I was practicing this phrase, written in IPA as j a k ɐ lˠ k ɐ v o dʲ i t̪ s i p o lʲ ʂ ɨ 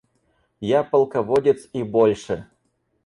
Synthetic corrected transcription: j a p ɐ lˠ k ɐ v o dʲ ɪ t̪ s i b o lʲ ʂ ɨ